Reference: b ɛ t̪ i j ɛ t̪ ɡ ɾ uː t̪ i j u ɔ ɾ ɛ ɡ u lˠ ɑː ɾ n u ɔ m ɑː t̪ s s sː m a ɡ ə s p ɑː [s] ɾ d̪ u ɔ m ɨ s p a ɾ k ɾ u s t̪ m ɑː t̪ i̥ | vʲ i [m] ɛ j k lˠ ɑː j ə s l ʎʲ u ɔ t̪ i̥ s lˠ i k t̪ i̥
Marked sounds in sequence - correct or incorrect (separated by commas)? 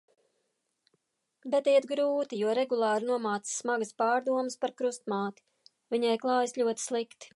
incorrect, incorrect